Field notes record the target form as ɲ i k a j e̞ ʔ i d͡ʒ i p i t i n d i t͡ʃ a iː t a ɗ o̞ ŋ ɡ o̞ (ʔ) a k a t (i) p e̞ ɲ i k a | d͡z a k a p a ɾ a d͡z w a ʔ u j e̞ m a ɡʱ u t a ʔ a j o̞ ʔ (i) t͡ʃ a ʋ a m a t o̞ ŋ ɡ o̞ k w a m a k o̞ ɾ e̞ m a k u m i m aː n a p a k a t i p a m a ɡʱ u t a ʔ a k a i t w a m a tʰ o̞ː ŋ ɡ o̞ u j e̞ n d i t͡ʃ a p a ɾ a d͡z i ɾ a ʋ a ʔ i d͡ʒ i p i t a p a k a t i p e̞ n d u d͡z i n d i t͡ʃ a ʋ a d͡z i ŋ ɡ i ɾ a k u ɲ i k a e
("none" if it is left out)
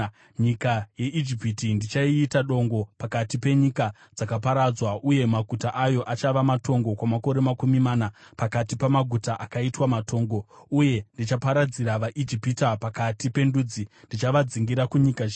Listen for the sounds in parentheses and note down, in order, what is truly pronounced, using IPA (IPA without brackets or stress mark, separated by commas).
p, i, a